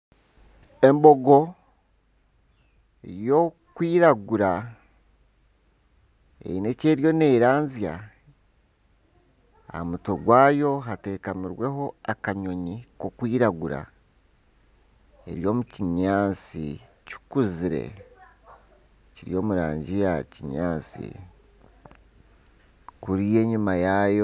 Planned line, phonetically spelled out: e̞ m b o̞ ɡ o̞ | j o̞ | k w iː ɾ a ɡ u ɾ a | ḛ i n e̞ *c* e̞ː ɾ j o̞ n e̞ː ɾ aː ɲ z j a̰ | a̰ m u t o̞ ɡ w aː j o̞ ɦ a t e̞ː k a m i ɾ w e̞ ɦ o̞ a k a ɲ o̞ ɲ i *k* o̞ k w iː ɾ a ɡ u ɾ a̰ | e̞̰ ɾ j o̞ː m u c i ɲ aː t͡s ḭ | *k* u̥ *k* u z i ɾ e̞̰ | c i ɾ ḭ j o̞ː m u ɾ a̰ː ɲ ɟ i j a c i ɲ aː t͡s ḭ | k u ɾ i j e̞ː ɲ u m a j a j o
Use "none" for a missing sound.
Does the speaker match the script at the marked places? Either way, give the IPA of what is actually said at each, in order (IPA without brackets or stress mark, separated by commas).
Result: c, k, c, k